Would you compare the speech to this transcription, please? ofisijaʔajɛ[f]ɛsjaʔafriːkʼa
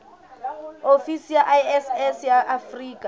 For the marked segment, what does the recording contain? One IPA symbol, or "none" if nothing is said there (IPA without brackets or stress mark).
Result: s